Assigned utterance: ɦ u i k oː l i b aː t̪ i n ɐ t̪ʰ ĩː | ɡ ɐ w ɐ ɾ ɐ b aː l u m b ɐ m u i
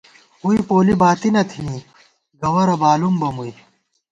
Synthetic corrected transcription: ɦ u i p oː l i b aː t̪ i n ɐ t̪ʰ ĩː | ɡ ɐ w ɐ ɾ ɐ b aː l u m b ɐ m u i